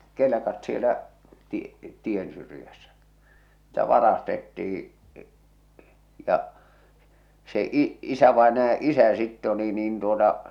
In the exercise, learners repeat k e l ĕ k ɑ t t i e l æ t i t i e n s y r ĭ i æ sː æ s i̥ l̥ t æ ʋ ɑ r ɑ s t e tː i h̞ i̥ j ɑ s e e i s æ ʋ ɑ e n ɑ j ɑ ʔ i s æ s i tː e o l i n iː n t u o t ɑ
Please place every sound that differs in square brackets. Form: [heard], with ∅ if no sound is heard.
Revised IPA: k e l ĕ k ɑ t [s] i e l æ t i t i e n s y r ĭ [j] æ sː æ s i̥ l̥ t æ ʋ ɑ r ɑ s t e tː i h̞ i̥ j ɑ s e [i] i s æ ʋ ɑ e n ɑ j ɑ ʔ i s æ s i tː e o l i n iː n t u o t ɑ